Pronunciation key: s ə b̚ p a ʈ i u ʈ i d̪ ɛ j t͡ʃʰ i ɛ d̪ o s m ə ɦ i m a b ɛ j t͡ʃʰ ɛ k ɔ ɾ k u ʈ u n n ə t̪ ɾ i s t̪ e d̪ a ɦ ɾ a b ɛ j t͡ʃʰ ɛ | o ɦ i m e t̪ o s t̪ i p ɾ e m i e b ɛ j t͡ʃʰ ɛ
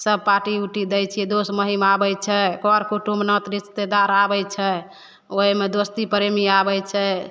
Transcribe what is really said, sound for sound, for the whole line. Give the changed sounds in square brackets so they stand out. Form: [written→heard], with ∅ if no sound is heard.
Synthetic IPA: s ə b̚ p a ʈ i u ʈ i d̪ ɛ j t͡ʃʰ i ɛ d̪ o s m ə ɦ i m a b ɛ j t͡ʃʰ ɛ k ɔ ɾ k u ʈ u [n→m] n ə t̪ ɾ i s t̪ e d̪ a [ɦ→∅] ɾ a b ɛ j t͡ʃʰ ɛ | o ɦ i m e [t̪→d̪] o s t̪ i p ɾ e m i [e→a] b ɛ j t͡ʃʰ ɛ